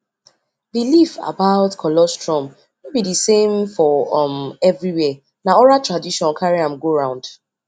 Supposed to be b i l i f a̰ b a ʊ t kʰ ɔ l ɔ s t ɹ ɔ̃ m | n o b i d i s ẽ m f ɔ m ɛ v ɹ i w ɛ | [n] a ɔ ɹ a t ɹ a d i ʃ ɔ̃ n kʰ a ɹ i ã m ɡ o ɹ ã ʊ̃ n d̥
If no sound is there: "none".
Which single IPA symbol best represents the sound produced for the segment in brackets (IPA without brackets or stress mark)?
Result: n